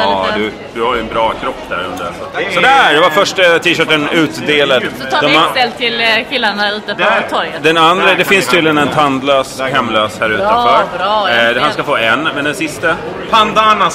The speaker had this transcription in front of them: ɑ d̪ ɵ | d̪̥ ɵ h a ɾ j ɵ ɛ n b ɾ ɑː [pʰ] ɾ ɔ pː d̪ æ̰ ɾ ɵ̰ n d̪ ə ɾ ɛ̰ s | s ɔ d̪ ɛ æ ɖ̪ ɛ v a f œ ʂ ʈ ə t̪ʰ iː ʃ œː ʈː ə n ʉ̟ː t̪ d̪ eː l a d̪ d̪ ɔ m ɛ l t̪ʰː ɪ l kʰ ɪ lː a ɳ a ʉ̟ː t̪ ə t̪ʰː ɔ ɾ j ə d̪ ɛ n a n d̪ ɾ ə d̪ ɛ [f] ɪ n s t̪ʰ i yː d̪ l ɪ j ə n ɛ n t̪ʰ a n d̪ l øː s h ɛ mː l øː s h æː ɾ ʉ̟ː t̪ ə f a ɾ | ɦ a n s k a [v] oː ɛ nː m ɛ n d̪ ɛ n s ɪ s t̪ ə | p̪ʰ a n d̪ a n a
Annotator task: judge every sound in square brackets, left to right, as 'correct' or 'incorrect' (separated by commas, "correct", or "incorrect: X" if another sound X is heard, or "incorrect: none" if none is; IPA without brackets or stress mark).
incorrect: kʰ, correct, incorrect: f